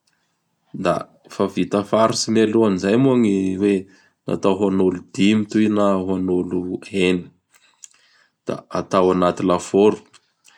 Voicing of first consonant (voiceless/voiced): voiced